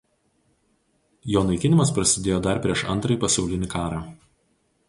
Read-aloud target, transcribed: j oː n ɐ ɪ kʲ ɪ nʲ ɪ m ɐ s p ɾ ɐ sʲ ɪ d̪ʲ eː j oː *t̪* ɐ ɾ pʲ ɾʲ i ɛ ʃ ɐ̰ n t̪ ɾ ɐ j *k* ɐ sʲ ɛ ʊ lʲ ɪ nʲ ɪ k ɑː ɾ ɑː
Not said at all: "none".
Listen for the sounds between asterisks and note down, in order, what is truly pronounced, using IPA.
d̪, p

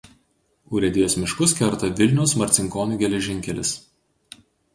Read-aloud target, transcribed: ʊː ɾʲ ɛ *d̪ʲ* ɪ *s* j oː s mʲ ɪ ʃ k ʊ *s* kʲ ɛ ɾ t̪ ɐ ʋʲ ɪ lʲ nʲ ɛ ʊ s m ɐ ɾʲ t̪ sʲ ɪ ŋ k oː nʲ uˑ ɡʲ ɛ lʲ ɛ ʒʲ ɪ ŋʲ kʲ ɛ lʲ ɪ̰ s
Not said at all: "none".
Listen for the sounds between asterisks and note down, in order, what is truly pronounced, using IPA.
d̪ʲ, none, s

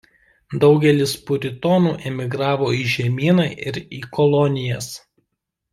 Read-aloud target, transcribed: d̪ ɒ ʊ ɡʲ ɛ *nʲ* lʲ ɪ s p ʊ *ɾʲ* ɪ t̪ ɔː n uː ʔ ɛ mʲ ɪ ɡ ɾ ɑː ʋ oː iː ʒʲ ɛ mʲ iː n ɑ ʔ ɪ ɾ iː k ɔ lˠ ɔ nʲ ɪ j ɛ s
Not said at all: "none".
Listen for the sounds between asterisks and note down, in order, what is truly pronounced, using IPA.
none, ɾʲ

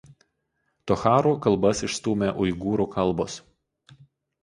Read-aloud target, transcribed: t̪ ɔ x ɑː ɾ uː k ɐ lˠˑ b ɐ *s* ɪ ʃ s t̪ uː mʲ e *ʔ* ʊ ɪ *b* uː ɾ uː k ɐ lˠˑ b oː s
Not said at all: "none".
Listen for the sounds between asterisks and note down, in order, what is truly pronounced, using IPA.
s, ʔ, ɡ

